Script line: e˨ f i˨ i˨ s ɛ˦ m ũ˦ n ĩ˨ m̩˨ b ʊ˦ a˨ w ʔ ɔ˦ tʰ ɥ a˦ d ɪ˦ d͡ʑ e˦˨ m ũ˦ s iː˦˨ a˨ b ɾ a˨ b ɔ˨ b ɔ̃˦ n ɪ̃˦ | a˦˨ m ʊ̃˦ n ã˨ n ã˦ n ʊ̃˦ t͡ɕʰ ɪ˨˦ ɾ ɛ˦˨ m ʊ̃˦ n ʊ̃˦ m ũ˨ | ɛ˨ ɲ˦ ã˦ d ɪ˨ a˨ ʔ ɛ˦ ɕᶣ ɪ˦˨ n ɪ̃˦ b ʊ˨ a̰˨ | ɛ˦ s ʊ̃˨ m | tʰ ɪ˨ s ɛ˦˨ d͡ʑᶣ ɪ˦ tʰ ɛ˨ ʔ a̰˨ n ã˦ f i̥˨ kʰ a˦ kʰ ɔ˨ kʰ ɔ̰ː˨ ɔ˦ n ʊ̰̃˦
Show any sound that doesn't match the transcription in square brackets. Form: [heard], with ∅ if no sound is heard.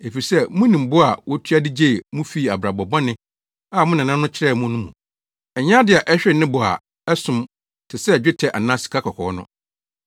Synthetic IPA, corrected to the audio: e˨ f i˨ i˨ s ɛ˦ m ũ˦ n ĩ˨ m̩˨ b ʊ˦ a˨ w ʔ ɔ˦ tʰ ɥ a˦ d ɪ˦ d͡ʑ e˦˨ m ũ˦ [f] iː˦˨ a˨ b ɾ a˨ b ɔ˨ b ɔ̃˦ n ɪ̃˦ | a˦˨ m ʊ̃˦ n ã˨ n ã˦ n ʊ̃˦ t͡ɕʰ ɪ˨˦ ɾ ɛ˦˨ m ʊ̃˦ n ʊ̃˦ m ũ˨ | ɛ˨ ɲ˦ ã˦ d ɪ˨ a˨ ʔ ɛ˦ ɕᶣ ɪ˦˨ n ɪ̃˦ b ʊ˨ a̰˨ | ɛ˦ s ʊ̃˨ m | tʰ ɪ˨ s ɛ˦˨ d͡ʑᶣ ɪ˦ tʰ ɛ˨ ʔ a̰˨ n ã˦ [s] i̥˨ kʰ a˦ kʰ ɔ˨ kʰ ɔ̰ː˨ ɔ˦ n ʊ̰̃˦